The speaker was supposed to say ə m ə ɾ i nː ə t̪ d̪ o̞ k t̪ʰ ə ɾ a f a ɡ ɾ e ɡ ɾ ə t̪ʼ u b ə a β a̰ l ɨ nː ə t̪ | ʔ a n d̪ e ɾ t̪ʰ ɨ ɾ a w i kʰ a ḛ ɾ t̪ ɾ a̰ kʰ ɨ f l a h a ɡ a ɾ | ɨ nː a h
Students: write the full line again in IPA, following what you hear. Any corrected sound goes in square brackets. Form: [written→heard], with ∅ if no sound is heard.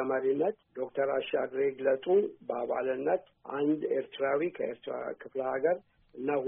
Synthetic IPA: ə m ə ɾ i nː ə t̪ d̪ o̞ k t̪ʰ ə ɾ a [f→ʃ] a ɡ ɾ e ɡ [ɾ→l] ə t̪ʼ u b ə a β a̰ l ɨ nː ə t̪ | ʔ a n d̪ e ɾ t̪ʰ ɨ ɾ a w i kʰ [a→ə] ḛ ɾ t̪ ɾ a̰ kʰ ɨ f l [a→ə] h a ɡ [a→ə] ɾ | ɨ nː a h